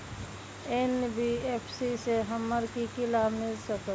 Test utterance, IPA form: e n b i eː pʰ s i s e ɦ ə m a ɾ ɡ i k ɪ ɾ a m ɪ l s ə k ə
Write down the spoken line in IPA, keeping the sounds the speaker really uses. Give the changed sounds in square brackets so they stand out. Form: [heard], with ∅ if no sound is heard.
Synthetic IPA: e n b i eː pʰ s i s e ɦ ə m [ə] ɾ [k] i k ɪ [l] a m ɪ l s ə k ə